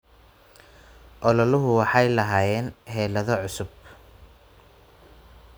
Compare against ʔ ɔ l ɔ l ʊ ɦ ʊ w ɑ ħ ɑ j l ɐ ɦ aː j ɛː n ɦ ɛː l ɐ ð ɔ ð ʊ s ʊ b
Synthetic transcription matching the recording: ʔ ɔ l ɔ l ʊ ɦ ʊ w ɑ ħ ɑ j l ɐ ɦ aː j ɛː n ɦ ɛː l ɐ ð ɔ ʕ ʊ s ʊ b